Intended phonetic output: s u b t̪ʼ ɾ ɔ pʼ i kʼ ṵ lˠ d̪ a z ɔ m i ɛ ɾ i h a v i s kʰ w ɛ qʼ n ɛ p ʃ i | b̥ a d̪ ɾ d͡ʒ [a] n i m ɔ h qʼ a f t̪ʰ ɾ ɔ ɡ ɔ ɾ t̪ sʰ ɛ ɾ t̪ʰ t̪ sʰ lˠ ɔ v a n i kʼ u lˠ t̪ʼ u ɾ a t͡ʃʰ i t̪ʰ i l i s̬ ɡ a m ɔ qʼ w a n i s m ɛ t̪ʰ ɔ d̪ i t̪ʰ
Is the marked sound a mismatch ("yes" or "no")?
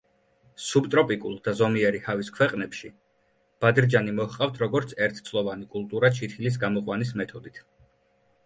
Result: no